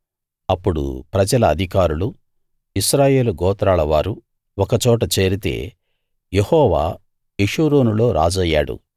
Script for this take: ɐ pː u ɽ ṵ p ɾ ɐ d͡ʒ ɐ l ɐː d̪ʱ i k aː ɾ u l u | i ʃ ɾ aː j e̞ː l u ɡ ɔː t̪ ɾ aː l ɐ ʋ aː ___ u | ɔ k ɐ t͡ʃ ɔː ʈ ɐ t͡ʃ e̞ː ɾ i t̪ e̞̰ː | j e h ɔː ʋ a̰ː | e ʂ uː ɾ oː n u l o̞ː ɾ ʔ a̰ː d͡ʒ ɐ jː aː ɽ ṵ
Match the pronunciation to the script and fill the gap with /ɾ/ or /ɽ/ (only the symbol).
ɾ